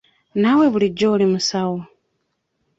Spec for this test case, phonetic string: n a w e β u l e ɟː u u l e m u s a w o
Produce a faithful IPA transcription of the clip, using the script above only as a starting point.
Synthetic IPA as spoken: n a w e β u l i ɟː o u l i m u s a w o